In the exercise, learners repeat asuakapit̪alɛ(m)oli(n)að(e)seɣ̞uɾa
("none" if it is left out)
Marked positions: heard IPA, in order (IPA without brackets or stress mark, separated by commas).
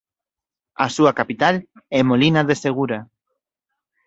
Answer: m, n, e